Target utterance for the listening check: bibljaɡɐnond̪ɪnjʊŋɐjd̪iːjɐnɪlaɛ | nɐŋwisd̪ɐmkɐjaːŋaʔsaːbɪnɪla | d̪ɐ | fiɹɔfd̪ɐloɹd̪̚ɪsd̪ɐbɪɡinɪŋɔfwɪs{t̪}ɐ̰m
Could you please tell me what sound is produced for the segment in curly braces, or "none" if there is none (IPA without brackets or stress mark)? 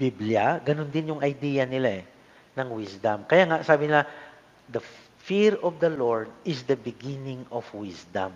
d̪